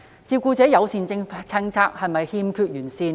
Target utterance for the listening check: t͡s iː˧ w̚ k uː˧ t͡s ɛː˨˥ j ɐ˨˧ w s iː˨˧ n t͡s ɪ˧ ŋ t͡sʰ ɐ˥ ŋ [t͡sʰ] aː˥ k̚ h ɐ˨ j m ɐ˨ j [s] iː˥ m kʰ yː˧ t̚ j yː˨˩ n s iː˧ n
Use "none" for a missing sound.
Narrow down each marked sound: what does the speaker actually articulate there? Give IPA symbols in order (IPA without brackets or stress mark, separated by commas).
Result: t͡sʰ, h